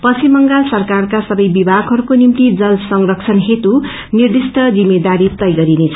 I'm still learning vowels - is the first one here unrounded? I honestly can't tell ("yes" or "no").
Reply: yes